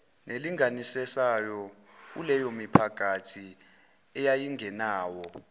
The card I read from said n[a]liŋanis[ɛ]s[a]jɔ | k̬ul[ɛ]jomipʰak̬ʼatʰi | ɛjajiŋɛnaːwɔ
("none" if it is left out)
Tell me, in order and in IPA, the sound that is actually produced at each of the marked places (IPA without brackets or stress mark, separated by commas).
e, ɛ, a, ɛ